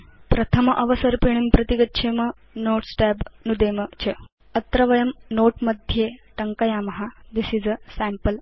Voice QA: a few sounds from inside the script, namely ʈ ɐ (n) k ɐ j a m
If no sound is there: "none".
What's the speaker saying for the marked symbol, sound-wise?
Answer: ŋ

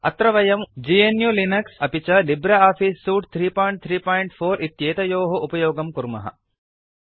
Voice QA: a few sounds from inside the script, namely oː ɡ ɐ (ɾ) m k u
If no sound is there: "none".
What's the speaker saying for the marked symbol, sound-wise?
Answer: none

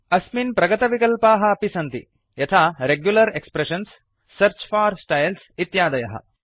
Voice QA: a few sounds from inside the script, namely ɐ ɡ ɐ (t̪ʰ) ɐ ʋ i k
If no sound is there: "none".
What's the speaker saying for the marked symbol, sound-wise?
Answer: t̪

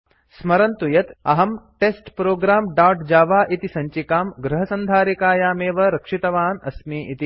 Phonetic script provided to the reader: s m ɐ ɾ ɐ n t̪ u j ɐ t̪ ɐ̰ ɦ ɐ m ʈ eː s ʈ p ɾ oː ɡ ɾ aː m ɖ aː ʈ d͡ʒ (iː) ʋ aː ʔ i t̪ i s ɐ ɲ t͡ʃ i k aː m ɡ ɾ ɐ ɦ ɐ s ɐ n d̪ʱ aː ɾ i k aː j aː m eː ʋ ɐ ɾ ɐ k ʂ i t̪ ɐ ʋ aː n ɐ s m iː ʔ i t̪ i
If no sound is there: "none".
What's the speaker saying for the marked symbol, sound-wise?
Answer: aː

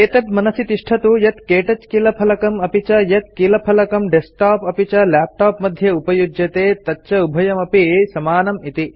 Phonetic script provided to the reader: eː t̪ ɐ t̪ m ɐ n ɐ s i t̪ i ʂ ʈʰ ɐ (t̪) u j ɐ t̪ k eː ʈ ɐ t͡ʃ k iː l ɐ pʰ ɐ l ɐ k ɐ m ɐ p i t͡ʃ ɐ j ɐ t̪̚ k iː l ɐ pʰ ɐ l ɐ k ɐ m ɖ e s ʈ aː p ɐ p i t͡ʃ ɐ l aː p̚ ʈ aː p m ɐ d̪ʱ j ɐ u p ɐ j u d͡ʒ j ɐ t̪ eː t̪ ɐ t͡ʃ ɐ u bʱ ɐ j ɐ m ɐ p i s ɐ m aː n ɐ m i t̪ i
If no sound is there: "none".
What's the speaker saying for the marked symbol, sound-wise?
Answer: t̪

